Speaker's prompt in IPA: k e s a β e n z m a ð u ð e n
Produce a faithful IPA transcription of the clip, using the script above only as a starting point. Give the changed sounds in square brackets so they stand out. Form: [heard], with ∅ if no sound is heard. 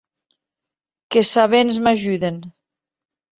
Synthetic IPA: k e s a β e n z m a [ʒ] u ð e n